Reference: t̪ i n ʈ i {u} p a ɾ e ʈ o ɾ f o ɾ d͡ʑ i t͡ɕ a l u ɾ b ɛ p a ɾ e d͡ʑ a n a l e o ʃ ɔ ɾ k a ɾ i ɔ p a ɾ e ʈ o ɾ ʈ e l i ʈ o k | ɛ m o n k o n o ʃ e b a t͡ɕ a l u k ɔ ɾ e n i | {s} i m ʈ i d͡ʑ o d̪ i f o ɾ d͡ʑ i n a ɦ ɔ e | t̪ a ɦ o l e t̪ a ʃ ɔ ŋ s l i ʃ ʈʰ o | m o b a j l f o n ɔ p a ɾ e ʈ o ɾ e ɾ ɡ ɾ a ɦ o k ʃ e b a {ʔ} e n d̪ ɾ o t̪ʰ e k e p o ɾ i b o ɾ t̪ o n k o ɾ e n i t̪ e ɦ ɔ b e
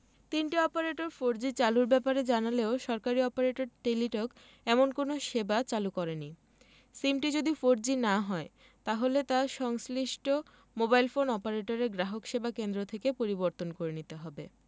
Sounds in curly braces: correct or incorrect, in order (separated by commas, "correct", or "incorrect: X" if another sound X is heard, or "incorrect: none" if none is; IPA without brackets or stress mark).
incorrect: ɔ, correct, incorrect: k